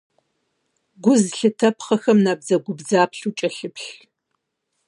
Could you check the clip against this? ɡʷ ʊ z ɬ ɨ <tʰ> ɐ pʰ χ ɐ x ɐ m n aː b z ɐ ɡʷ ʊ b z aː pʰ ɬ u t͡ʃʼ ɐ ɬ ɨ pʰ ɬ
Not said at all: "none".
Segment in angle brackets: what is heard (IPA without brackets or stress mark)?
tʰ